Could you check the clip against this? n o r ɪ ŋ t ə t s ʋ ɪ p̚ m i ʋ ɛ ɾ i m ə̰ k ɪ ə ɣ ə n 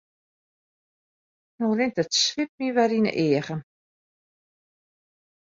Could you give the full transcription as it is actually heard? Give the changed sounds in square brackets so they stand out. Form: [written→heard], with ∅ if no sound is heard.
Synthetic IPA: n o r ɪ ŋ t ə t s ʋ ɪ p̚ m i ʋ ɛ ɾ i [m→n] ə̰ [k→ʔ] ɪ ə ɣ ə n